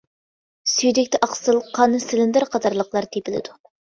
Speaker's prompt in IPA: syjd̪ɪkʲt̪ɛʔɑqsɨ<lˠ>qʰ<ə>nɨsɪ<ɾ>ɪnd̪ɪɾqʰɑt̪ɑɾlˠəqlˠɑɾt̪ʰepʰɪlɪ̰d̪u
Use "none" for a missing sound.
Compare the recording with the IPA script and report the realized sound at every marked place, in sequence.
lˠ, ɑ, l

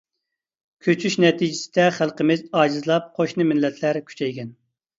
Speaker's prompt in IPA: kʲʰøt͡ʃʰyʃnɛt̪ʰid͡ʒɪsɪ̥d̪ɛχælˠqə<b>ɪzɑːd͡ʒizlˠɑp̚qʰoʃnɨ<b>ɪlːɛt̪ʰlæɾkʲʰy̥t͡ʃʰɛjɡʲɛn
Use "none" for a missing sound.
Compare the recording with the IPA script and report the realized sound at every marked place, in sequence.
m, m

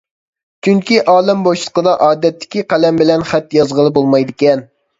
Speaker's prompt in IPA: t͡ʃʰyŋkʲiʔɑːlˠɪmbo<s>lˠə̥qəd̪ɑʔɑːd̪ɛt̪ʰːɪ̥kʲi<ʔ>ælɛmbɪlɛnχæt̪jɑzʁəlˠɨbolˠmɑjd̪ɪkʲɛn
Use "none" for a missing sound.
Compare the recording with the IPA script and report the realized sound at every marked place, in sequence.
ʃ, q

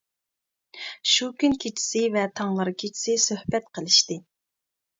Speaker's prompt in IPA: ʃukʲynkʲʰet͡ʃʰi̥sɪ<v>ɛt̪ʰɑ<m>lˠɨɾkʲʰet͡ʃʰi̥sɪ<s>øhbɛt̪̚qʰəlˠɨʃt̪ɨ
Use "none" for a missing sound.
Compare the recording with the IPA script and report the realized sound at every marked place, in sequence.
v, ŋ, s

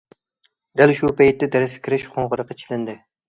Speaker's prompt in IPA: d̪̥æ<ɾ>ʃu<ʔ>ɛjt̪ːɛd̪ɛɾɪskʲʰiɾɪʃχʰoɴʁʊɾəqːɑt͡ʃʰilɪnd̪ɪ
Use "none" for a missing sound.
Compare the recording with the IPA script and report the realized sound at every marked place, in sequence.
l, p

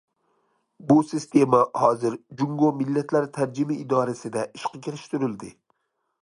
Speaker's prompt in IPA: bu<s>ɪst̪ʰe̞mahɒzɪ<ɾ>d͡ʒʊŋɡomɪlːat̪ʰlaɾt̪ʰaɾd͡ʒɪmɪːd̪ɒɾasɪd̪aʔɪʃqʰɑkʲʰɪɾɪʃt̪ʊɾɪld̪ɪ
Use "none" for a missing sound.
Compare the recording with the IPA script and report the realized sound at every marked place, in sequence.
s, ɾ

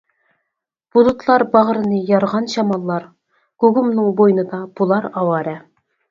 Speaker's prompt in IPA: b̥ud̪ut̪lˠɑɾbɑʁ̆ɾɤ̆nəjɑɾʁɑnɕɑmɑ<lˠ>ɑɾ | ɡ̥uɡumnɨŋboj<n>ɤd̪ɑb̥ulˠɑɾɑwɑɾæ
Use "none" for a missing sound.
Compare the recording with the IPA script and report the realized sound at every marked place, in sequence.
lˠː, n

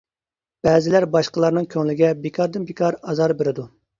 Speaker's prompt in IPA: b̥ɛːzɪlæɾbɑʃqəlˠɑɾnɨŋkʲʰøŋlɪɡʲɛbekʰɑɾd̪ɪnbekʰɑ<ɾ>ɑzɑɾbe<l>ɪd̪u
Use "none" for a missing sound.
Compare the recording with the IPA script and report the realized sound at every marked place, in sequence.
ɾ, ɾ

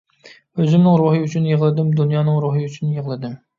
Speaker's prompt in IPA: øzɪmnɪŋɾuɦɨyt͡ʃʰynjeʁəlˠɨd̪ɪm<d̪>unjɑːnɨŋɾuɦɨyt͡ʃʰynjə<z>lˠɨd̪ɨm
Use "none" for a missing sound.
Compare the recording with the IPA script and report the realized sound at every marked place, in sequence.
d̪, ʁ

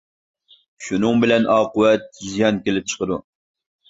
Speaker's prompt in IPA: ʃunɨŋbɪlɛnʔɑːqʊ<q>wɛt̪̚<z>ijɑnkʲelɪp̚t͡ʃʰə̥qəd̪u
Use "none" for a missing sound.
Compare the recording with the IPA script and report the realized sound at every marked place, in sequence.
none, z

